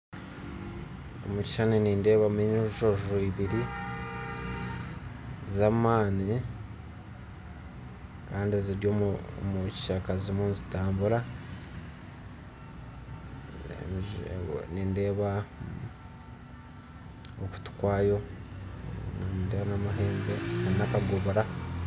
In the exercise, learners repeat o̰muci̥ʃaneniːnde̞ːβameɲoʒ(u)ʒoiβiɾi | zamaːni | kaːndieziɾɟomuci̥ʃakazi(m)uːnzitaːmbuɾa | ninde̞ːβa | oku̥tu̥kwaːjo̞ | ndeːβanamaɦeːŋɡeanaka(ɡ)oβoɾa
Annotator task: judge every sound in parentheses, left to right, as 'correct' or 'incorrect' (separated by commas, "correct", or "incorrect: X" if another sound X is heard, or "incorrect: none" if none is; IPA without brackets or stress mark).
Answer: incorrect: o, correct, correct